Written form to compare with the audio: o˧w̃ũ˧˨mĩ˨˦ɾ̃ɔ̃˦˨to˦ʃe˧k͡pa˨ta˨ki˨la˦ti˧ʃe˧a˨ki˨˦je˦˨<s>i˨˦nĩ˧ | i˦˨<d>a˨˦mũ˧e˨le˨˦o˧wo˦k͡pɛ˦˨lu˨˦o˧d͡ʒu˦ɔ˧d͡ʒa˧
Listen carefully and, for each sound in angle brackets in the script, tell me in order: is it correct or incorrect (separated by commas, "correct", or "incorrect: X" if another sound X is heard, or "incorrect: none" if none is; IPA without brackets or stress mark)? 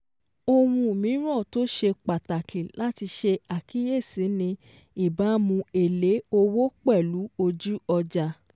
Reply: correct, incorrect: b